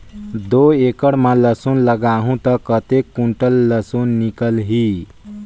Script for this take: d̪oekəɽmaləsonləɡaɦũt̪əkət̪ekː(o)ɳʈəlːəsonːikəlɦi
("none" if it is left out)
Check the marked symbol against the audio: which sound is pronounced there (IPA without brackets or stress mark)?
u